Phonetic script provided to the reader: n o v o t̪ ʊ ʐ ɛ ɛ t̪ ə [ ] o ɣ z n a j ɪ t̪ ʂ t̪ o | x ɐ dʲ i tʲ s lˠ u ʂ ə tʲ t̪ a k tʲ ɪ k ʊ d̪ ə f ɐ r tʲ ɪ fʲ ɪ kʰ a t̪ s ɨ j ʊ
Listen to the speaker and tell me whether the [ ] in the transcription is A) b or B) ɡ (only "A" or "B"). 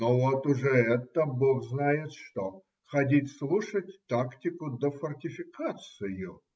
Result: A